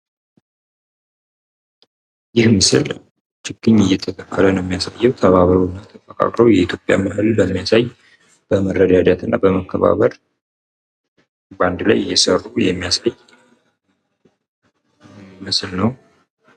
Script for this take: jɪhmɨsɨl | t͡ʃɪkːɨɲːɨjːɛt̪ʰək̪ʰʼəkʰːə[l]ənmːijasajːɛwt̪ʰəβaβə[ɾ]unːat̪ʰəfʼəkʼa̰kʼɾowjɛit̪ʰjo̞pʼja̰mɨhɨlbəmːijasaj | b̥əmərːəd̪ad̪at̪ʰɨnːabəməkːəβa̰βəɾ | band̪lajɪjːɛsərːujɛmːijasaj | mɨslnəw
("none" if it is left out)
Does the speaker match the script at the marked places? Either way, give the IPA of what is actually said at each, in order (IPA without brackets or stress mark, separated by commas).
l, ɾ